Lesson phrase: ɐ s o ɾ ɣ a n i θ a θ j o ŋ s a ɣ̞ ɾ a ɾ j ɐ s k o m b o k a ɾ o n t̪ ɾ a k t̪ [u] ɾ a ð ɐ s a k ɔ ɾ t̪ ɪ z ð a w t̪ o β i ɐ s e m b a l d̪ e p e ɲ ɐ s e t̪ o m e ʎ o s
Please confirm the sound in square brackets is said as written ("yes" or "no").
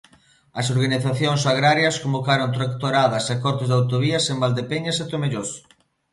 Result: no